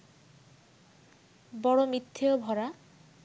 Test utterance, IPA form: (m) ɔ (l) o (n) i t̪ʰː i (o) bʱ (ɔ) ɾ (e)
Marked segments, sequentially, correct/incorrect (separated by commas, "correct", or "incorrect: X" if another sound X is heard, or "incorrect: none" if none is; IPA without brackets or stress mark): incorrect: b, incorrect: ɽ, incorrect: m, correct, correct, incorrect: a